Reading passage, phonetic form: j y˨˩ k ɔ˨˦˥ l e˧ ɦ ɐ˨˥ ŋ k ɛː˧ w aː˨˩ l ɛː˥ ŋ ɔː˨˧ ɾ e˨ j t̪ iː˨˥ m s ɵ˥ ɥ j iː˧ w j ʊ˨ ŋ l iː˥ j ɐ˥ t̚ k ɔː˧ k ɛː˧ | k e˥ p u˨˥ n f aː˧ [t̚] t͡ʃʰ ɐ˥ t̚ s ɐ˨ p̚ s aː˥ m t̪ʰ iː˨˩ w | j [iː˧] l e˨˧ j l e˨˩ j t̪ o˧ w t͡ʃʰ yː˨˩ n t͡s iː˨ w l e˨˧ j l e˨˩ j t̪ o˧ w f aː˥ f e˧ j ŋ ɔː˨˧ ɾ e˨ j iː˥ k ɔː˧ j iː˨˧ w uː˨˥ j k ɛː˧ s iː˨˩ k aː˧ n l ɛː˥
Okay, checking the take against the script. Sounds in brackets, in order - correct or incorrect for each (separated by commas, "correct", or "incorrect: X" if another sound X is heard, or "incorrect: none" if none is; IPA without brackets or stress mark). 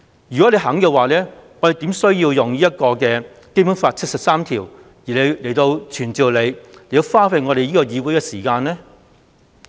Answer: correct, incorrect: iː˨˩